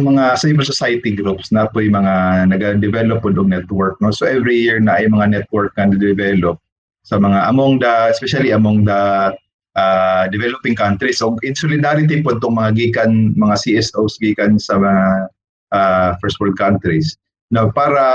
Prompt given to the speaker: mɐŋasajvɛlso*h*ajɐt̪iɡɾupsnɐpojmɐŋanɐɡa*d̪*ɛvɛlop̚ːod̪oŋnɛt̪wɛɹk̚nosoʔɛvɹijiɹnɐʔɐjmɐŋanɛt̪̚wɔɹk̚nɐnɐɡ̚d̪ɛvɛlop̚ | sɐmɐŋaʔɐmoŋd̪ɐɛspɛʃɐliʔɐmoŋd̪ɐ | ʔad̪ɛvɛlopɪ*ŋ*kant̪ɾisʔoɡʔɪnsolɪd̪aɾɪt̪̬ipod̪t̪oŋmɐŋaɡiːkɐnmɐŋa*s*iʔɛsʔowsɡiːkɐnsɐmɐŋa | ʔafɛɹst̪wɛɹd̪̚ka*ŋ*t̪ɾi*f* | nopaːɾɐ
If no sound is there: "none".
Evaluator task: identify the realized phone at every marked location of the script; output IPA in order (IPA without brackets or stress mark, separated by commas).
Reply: s, d̪, ŋ, s, n, s